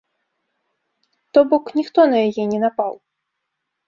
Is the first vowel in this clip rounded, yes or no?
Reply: yes